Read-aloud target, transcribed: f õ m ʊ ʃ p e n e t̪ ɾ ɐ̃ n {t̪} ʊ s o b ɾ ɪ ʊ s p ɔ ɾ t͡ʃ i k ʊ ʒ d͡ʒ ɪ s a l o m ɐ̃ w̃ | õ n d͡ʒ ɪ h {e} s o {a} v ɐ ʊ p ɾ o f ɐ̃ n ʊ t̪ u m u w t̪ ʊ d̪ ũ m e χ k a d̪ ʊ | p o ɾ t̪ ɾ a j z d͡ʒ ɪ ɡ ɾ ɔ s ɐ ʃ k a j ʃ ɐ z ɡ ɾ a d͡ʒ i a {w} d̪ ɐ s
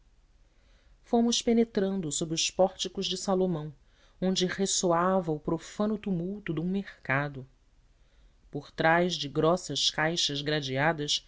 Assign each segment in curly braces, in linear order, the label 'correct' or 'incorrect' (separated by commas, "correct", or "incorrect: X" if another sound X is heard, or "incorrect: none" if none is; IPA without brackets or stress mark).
incorrect: d̪, correct, correct, incorrect: none